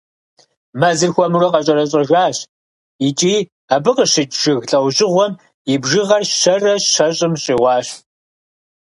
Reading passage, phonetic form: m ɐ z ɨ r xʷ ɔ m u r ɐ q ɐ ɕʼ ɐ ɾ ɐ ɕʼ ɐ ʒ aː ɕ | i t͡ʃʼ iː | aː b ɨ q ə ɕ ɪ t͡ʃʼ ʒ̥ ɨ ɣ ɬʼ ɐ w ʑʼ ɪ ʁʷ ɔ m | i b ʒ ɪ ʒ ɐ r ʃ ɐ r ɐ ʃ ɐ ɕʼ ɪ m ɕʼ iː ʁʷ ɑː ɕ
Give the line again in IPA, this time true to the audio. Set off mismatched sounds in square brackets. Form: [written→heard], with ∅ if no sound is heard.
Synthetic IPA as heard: m ɐ z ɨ r xʷ ɔ m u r ɐ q ɐ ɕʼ ɐ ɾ ɐ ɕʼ ɐ ʒ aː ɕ | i t͡ʃʼ iː | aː b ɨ q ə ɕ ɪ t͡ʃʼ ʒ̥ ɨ ɣ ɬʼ ɐ w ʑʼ ɪ ʁʷ ɔ m | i b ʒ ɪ [ʒ→ʁ] ɐ r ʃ ɐ r ɐ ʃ ɐ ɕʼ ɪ m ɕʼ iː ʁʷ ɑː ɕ